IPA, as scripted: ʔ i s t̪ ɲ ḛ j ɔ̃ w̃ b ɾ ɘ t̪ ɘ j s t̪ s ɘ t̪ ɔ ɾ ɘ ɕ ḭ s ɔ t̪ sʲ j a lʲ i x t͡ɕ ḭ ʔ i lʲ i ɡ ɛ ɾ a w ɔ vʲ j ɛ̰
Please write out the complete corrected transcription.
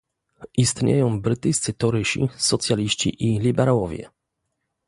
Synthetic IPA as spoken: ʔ i s t̪ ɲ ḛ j ɔ̃ w̃ b ɾ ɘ t̪ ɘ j s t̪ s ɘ t̪ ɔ ɾ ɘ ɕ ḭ s ɔ t̪ sʲ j a lʲ i ɕ t͡ɕ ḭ ʔ i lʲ i b ɛ ɾ a w ɔ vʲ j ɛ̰